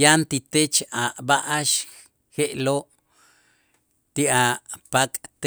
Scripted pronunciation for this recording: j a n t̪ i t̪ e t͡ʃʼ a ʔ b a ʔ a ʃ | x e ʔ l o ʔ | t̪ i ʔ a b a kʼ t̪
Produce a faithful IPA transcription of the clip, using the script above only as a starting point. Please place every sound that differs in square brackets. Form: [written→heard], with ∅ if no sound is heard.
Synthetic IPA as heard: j a n t̪ i t̪ e [t͡ʃʼ→t͡ʃ] a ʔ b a ʔ a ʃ | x e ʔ l o ʔ | t̪ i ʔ a [b→p] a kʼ t̪